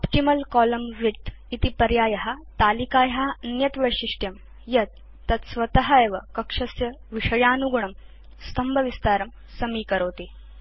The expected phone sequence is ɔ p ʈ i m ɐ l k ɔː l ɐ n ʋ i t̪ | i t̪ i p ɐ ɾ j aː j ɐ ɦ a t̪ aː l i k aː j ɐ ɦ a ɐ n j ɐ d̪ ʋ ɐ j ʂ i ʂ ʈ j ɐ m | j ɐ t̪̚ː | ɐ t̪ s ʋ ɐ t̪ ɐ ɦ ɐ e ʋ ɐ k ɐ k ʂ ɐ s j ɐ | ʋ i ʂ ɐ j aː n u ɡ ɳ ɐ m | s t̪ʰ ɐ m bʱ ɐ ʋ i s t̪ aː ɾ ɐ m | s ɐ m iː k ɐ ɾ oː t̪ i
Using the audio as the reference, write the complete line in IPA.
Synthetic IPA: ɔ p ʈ i m ɐ l k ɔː l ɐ m ʋ i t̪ | i t̪ i p ɐ ɾ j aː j ɐ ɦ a t̪ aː l i k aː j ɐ ɦ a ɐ n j ɐ t̪ ʋ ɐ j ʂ i ʂ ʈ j ɐ m | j ɐ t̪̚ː | ɐ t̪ s ʋ ɐ t̪ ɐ ɦ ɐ e ʋ ɐ k ɐ k ʂ ɐ s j ɐ | ʋ i ʂ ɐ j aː n u ɡ ɳ ɐ m | s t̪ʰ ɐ m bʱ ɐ ʋ i s t̪ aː ɾ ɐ m | s ɐ m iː k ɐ ɾ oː t̪ i